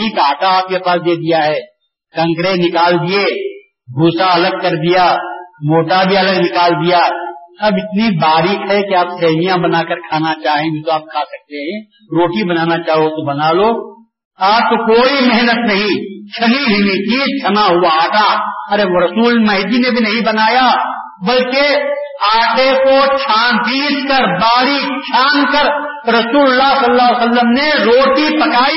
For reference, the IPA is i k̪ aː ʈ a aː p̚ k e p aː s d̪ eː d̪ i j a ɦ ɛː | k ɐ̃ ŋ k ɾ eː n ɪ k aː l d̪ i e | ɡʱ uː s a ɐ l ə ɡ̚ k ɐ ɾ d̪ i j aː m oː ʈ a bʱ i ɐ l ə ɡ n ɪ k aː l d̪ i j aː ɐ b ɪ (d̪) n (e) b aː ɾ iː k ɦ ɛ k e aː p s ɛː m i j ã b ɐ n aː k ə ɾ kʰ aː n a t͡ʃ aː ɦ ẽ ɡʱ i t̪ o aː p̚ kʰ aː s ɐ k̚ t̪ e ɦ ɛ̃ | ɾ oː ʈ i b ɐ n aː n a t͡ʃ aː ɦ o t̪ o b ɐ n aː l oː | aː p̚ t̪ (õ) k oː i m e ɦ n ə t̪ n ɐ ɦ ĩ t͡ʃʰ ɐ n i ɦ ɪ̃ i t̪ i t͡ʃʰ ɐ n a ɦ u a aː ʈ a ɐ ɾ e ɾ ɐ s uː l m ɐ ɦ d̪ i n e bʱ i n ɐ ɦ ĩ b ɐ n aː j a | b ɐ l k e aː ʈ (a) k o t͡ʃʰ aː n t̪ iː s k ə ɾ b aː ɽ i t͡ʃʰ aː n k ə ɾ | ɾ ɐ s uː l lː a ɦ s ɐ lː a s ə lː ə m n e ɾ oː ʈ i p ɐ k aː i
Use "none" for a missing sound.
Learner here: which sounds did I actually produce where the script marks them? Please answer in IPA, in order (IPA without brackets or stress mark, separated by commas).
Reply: t̪, i, o, e